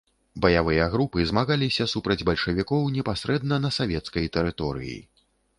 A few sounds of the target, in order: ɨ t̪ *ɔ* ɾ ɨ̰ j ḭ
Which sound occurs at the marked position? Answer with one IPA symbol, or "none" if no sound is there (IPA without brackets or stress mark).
ɔ